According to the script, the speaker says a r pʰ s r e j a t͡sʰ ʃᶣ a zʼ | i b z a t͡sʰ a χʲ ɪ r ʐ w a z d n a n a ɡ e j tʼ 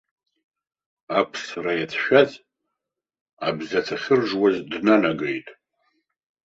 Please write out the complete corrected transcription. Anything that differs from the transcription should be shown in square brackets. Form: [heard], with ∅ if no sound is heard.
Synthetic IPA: a [∅] pʰ s r [a] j a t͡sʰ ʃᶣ a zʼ | [a] b z a t͡sʰ a χʲ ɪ r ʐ w a z d n a n a ɡ e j tʼ

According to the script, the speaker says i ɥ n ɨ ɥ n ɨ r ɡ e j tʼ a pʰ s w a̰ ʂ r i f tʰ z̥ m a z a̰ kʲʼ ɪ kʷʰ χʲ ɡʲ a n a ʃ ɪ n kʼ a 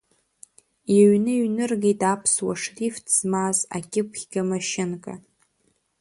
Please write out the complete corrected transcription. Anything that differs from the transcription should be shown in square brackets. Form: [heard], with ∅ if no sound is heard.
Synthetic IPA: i ɥ n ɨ ɥ n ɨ r ɡ e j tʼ a pʰ s w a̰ ʂ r i f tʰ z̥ m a z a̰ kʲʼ ɪ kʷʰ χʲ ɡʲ a [m] a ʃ ɪ n kʼ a

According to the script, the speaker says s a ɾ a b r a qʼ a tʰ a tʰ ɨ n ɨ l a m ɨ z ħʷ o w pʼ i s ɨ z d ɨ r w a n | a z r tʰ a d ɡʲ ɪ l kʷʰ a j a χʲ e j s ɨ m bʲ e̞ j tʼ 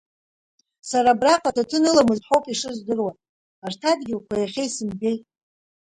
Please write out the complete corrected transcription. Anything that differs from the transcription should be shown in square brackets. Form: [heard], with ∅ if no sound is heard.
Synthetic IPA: s a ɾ a b r a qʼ a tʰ a tʰ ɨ n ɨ l a m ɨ z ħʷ o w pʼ i [ʂ] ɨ z d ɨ r w a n | a [∅] r tʰ a d ɡʲ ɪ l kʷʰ a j a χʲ e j s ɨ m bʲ e̞ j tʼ

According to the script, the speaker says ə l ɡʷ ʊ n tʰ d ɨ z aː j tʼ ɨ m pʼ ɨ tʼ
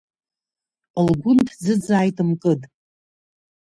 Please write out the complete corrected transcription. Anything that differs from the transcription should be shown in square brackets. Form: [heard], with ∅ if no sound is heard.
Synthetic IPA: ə l ɡʷ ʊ n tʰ [d͡z] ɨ [d͡z] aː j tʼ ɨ m [kʼ] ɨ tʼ

